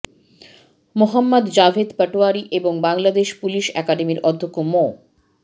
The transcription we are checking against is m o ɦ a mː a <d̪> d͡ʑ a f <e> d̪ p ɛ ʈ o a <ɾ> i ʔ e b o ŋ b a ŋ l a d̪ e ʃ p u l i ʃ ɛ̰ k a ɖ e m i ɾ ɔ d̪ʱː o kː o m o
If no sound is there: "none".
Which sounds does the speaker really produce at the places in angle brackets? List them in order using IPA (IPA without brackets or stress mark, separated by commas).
d̪, e, ɾ